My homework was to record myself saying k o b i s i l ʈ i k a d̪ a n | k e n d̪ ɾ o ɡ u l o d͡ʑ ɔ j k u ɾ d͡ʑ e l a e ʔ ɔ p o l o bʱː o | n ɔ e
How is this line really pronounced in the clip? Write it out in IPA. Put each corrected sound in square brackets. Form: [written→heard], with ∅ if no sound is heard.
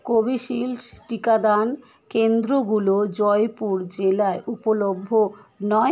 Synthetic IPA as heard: k o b i [s→ʃ] i l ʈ i k a d̪ a n | k e n d̪ ɾ o ɡ u l o d͡ʑ ɔ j [k→p] u ɾ d͡ʑ e l a e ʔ [ɔ→u] p o l o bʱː o | n ɔ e